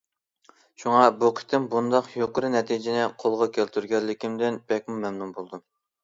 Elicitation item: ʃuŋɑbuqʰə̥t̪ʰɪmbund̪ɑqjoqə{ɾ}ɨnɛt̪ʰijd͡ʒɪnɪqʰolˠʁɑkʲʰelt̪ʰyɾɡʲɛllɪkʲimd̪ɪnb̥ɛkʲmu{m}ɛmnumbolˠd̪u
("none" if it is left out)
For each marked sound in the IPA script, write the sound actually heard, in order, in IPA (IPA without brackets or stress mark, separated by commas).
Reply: ɾ, m